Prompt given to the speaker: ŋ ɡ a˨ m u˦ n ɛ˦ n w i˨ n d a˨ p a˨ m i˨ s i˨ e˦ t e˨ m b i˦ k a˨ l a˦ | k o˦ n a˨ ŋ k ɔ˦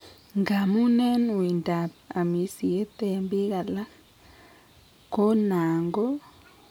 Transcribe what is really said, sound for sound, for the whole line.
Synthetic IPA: ŋ ɡ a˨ m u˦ n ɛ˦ n w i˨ n d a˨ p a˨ m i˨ s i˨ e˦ t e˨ m b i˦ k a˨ l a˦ | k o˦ n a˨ ŋ ɡ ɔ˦